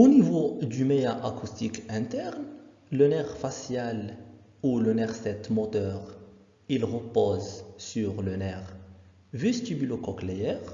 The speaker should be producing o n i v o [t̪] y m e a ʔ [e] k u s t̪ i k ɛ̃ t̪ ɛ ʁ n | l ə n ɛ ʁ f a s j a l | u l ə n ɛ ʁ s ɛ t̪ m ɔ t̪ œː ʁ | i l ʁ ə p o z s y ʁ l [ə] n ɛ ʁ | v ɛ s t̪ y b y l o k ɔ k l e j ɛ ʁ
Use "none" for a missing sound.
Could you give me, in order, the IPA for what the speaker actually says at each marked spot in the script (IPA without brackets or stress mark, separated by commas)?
d̪, a, ə